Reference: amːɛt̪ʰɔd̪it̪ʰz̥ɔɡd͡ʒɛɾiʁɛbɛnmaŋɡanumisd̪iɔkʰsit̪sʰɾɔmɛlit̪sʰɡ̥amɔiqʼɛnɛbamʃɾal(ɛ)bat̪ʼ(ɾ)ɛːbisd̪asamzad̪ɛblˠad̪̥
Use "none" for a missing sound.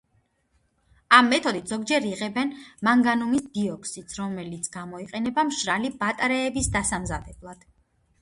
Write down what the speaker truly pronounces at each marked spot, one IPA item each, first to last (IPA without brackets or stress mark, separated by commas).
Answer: i, ɾ